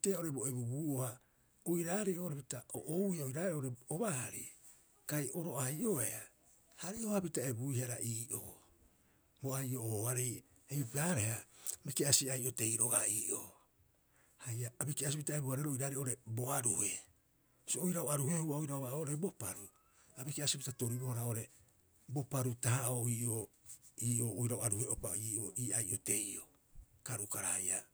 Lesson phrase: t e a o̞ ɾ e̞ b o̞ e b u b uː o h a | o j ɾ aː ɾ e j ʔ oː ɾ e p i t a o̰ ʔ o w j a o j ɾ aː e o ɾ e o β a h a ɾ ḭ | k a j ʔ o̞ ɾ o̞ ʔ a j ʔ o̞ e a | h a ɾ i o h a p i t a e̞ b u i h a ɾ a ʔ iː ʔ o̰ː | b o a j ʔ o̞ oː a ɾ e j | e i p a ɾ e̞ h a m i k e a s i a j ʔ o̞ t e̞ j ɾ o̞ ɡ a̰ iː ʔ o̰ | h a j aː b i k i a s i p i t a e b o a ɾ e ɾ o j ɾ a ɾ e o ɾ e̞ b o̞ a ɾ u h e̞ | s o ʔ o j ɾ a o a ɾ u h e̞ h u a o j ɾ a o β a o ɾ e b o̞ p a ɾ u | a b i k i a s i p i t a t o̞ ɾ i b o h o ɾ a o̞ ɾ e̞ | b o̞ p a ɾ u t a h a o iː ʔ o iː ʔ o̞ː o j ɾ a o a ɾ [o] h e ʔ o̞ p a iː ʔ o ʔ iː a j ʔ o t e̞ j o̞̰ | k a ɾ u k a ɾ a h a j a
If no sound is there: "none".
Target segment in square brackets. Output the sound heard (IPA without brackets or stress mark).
u